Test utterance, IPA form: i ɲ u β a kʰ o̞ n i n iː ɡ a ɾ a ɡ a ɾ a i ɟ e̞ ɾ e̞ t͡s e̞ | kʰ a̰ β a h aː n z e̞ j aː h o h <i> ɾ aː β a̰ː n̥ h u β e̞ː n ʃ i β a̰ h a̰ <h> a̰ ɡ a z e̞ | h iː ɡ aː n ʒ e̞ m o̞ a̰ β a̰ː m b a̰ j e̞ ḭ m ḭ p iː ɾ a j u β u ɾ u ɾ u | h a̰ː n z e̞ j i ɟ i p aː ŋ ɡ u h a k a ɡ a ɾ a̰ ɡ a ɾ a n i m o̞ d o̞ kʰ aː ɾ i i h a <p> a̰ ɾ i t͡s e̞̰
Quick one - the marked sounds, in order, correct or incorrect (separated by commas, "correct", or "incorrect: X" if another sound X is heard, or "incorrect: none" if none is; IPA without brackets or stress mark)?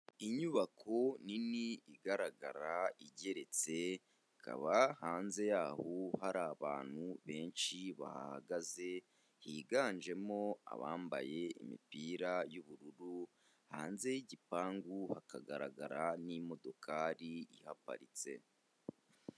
incorrect: a, correct, correct